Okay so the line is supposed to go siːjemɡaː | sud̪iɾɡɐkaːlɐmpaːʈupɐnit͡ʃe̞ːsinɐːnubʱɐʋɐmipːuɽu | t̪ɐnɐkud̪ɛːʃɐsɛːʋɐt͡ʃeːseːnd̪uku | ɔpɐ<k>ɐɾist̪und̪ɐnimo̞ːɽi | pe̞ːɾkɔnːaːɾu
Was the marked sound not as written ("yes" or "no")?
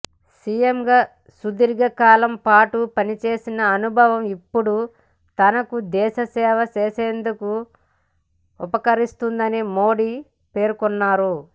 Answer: no